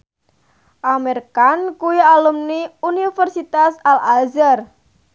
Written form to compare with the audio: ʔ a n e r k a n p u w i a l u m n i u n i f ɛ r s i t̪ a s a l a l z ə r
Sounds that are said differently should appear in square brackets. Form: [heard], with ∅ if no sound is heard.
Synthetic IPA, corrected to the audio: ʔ a [m] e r k a n [k] u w i a l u m n i u n i f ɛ r s i t̪ a s a l a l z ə r

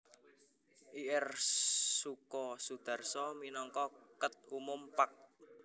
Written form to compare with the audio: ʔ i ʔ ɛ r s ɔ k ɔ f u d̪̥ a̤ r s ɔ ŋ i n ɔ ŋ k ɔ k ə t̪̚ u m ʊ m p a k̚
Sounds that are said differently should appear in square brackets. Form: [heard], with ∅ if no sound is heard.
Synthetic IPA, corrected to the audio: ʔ i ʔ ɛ r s [u] k ɔ [s] u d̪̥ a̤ r s ɔ [m] i n ɔ ŋ k ɔ k ə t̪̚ u m ʊ m p a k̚

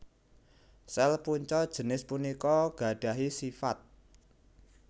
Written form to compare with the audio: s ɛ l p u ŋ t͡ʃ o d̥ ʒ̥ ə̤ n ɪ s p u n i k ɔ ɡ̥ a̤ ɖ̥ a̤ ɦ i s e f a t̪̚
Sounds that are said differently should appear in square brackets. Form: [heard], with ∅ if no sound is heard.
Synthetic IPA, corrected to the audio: s ɛ l p u [ɲ] t͡ʃ [ɔ] d̥ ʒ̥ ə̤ n ɪ s p u n i k ɔ ɡ̥ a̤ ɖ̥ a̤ ɦ i s [i] f a t̪̚

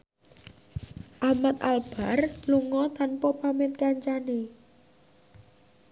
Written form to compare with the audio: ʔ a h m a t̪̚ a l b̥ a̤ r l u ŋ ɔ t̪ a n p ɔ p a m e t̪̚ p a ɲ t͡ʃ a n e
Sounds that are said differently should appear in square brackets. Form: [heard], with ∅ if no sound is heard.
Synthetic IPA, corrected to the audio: ʔ a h m a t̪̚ a l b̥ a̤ r l u ŋ ɔ t̪ a n p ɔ p a m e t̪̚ [k] a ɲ t͡ʃ a n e

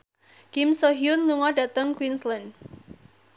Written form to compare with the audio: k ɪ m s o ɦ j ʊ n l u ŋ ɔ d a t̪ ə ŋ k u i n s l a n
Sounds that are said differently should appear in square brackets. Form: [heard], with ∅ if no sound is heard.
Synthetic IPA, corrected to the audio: k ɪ m s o ɦ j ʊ n l u ŋ ɔ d a t̪ ə ŋ k [w] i n s l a n

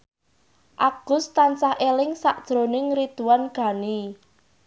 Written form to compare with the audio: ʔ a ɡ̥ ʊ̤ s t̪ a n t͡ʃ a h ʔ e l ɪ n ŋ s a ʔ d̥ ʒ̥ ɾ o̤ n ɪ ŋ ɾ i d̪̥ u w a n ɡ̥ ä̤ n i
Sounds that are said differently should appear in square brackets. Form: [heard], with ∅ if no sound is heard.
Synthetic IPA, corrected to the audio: ʔ a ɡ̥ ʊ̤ s t̪ a n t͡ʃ a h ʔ e l ɪ [∅] ŋ s a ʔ d̥ ʒ̥ ɾ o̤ n ɪ ŋ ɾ i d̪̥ u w a n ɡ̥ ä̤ n i

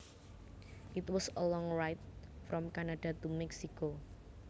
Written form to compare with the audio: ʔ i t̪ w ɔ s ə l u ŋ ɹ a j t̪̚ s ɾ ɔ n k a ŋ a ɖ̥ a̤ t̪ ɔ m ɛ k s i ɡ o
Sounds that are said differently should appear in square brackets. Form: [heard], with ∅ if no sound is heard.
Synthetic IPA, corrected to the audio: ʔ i t̪ w ɔ s ə l [ɔ] ŋ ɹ a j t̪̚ [f] ɾ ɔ [m] k a [n] a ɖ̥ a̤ t̪ [u] m ɛ k s i [k] o

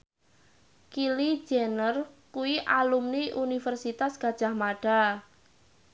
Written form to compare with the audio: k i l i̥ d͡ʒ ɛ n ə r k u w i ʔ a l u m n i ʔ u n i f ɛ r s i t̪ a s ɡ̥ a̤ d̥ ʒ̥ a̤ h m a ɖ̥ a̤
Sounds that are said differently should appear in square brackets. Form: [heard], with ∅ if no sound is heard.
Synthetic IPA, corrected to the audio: k i l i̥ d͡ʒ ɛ n ə r k u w i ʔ a l u m n i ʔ u n i f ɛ r s i t̪ a s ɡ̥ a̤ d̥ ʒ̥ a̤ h m a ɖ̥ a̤

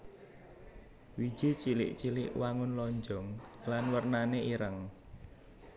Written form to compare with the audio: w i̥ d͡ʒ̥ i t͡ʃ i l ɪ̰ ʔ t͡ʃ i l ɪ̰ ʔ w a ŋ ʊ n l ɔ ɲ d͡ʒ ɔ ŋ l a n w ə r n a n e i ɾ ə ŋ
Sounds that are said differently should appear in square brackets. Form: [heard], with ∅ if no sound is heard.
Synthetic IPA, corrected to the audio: w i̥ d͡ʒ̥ i t͡ʃ i l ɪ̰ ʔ t͡ʃ i l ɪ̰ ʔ w a ŋ ʊ n l ɔ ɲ d͡ʒ ɔ ŋ l a n w ə r n a n e i ɾ ə ŋ

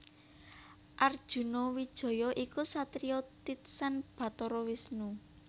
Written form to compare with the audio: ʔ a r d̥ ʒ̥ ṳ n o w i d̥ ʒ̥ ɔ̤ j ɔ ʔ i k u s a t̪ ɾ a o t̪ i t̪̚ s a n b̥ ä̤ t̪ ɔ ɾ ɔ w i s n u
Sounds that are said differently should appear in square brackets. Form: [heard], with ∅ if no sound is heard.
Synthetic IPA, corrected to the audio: ʔ a r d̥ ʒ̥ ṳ n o w i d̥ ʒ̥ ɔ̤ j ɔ ʔ i k u s a t̪ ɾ [i] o t̪ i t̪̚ s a n b̥ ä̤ t̪ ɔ ɾ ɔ w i s n u

